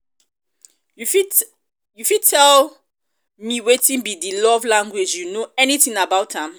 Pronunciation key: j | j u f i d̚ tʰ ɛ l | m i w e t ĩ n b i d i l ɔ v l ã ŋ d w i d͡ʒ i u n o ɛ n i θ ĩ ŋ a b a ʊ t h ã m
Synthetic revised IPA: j | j u f i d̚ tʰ ɛ l | m i w e t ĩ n b i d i l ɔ v l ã ŋ ɡ w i d͡ʒ j u n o ɛ n i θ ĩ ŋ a b a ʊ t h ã m